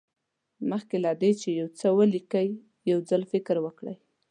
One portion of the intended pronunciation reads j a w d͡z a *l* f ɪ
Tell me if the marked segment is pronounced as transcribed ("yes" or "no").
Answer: yes